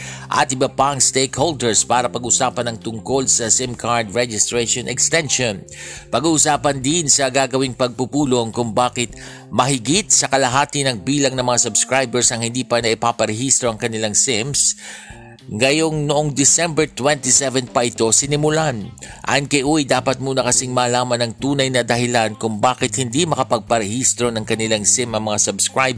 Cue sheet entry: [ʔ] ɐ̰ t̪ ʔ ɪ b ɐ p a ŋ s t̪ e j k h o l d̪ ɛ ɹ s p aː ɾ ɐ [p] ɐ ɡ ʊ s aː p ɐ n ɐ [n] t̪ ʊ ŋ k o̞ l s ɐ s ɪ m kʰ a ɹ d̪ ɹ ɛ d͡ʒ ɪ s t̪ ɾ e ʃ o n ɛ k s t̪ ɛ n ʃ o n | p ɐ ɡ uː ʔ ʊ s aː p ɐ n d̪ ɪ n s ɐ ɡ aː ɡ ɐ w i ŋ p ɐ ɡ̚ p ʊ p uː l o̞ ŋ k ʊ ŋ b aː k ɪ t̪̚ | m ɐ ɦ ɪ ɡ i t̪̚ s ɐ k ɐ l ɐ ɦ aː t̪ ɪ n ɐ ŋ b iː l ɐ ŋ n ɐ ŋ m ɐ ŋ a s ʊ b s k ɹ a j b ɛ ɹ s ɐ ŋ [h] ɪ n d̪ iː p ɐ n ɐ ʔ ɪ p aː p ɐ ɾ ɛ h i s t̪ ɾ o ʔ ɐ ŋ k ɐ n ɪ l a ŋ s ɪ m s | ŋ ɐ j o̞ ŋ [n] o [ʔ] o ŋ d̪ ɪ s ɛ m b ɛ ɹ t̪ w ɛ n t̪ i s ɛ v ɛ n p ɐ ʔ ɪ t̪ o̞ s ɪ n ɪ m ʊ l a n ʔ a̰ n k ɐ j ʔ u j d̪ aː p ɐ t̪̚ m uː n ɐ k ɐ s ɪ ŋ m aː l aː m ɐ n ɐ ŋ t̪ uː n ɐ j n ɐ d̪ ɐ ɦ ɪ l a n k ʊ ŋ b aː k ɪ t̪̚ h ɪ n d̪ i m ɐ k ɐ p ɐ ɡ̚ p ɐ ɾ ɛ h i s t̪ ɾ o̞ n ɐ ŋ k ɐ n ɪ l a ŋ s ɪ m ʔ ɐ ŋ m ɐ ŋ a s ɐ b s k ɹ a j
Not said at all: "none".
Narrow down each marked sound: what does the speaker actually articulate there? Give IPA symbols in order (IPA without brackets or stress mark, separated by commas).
ʔ, p, ŋ, h, n, ʔ